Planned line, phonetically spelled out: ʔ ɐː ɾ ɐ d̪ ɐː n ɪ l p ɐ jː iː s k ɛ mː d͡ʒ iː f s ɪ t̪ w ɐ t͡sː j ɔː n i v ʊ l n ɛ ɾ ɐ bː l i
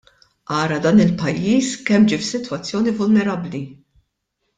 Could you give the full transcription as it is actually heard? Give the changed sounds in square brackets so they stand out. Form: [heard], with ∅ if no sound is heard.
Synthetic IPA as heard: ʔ ɐː ɾ ɐ d̪ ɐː n ɪ l p ɐ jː iː s k ɛ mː d͡ʒ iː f s ɪ t̪ w ɐ t͡sː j ɔː n i v ʊ l n ɛ ɾ ɐ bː l i